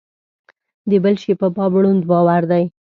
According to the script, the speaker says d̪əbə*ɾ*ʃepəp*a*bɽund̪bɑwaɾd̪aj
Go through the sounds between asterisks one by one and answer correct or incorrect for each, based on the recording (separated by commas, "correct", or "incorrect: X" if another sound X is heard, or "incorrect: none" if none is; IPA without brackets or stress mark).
incorrect: l, incorrect: ɑ